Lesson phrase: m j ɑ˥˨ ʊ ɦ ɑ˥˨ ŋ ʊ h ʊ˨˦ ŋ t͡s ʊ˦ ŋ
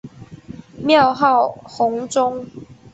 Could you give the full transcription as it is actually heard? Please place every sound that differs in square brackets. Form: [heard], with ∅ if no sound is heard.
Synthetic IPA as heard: m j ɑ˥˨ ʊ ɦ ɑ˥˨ [∅] ʊ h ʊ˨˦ ŋ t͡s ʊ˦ ŋ